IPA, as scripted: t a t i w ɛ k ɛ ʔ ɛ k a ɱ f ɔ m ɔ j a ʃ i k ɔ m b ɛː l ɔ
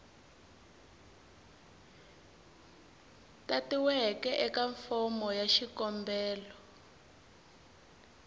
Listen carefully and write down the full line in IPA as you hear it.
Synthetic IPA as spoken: t a t i w ɛ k ɛ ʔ ɛ k a ɱ f ɔ m ɔ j a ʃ i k ɔ m b ɛː l ɔ